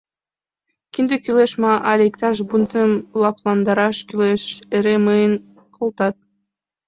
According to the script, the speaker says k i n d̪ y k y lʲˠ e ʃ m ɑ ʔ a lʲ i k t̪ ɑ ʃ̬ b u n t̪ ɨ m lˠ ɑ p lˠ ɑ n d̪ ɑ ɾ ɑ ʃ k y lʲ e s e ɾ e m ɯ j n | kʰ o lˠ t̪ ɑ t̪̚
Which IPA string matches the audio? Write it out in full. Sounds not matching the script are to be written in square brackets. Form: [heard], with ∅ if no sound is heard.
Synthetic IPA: k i n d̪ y k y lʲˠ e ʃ m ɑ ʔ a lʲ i k t̪ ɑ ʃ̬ b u n t̪ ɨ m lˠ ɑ p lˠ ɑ n d̪ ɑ ɾ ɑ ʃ k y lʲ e [ʃ] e ɾ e m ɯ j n | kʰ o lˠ t̪ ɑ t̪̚